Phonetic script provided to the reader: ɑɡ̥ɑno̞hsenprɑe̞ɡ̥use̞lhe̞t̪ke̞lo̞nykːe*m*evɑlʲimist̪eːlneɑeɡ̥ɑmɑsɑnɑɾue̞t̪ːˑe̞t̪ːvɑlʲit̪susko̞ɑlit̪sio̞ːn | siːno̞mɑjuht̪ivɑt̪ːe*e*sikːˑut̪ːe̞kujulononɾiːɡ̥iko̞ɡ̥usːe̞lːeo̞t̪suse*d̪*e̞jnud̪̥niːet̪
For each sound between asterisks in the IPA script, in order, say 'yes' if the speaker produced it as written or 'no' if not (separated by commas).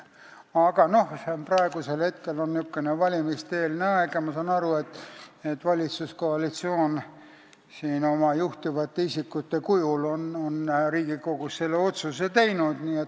no, no, no